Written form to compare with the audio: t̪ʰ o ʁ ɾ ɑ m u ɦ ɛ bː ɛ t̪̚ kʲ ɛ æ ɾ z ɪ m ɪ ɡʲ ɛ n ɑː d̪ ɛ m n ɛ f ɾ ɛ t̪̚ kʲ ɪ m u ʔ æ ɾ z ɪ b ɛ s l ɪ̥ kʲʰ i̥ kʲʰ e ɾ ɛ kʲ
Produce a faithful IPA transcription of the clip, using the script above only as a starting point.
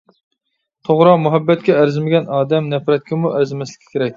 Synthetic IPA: t̪ʰ o ʁ ɾ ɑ m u ɦ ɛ bː ɛ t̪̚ kʲ ɛ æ ɾ z ɪ m ɪ ɡʲ ɛ n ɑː d̪ ɛ m n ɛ f ɾ ɛ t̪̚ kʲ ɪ m u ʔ æ ɾ z ɪ m ɛ s l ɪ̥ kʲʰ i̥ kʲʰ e ɾ ɛ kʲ